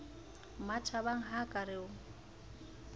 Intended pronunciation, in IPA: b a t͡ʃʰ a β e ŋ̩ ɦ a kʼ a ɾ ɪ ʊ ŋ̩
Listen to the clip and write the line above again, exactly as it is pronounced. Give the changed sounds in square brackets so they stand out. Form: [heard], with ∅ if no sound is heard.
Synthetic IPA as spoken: [m] a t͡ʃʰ a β [a] ŋ̩ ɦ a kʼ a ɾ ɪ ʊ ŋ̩